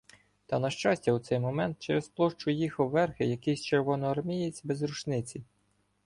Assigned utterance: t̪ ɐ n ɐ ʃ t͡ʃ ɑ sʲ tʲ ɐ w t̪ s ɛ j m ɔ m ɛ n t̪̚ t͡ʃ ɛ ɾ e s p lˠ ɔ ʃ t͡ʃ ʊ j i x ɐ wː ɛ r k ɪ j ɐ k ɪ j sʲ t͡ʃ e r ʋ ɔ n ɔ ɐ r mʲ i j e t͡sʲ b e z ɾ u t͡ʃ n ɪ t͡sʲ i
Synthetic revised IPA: t̪ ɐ n ɐ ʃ t͡ʃ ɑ sʲ tʲ ɐ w t̪ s ɛ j m ɔ m ɛ n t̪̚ t͡ʃ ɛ ɾ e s p lˠ ɔ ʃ t͡ʃ ʊ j i x ɐ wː ɛ r x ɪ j ɐ k ɪ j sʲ t͡ʃ e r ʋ ɔ n ɔ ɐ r mʲ i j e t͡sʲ b e z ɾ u t͡ʃ n ɪ t͡sʲ i